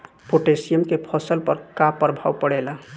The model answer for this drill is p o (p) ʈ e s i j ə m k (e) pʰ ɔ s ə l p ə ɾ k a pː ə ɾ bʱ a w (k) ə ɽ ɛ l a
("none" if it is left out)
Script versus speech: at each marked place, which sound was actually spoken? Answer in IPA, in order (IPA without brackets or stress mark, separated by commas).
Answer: none, e, p